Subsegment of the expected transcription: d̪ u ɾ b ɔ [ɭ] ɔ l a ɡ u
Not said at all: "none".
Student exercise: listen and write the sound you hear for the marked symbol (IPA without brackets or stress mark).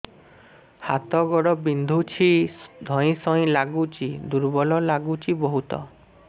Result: l